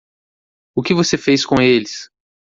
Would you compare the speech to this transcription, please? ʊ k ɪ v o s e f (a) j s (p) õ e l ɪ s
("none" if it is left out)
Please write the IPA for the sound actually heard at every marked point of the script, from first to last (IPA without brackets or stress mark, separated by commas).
e, k